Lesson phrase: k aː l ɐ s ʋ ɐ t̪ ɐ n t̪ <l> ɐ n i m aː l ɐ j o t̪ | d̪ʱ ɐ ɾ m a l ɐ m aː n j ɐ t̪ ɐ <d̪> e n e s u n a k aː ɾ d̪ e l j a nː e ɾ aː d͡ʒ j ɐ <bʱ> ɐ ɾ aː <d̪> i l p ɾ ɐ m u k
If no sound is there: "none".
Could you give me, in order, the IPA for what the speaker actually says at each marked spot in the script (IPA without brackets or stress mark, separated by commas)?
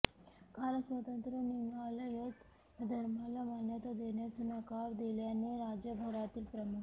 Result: ɾ, d̪, bʱ, t̪